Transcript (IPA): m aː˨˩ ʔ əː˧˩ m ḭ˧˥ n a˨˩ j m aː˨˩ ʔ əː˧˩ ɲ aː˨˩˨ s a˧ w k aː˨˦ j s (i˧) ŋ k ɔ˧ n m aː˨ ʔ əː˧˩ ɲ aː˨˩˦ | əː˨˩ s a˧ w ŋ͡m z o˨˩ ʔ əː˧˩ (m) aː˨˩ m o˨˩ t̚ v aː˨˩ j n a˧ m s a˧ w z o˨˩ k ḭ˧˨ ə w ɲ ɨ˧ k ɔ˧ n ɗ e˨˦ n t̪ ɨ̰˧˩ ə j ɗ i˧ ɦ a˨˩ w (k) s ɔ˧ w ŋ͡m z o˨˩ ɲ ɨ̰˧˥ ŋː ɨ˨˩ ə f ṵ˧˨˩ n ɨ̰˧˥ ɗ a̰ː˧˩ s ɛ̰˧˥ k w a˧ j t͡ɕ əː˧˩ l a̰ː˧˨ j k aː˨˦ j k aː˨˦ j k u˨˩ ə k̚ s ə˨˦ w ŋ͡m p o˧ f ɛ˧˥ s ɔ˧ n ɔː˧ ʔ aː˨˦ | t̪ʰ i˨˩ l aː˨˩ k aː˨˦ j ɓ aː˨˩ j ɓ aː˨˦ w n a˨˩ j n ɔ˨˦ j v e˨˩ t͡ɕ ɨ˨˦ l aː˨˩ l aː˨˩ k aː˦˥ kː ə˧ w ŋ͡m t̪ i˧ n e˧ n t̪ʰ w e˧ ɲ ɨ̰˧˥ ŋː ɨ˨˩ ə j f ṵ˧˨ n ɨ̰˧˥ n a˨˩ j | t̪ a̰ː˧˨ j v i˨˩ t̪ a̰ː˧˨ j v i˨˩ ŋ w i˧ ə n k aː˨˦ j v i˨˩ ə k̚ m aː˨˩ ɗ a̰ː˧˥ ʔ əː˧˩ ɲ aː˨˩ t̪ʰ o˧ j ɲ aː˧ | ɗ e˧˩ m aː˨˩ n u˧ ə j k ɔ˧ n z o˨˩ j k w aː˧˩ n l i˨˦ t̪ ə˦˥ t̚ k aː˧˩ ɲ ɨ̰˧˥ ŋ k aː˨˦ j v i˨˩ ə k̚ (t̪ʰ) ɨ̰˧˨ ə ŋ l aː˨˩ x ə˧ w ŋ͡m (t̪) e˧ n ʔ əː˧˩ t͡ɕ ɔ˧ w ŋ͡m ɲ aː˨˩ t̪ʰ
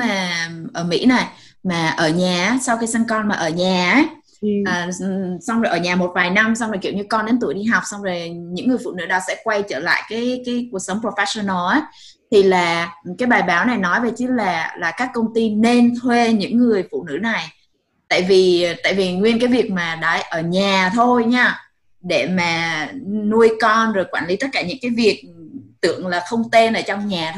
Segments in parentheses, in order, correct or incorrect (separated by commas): incorrect, incorrect, incorrect, incorrect, correct